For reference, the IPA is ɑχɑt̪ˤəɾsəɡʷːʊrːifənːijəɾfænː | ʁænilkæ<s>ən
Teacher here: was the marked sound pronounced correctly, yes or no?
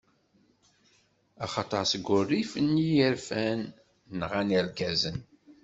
no